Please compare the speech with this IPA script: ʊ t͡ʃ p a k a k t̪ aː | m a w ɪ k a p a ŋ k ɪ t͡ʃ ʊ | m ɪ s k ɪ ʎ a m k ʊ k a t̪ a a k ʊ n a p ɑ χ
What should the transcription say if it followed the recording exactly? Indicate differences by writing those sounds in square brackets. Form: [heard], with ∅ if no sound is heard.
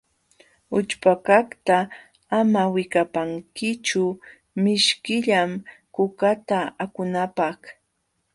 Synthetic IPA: ʊ t͡ʃ p a k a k t̪ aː | m a w ɪ k a p a ŋ k ɪ t͡ʃ ʊ | m ɪ [ʃ] k ɪ ʎ a m k ʊ k a t̪ a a k ʊ n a p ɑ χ